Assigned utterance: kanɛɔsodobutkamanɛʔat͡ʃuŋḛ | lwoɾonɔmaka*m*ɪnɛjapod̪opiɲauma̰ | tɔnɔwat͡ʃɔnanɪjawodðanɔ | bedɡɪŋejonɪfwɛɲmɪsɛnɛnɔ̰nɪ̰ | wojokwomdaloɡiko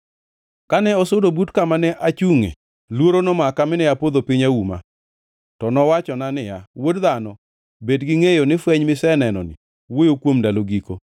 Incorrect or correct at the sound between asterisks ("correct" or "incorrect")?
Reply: correct